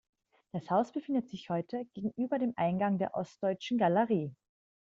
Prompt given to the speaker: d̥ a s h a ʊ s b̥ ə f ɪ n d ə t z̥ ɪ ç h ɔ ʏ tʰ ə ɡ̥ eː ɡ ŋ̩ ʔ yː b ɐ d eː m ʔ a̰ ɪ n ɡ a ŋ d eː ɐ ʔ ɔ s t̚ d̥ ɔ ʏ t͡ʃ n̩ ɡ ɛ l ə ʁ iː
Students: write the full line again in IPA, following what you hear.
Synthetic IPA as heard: d̥ a s h a ʊ s b̥ ə f ɪ n d ə t z̥ ɪ ç h ɔ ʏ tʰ ə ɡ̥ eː ɡ ŋ̩ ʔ yː b ɐ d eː m ʔ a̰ ɪ n ɡ a ŋ d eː ɐ ʔ ɔ s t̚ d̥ ɔ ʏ t͡ʃ n̩ ɡ a l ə ʁ iː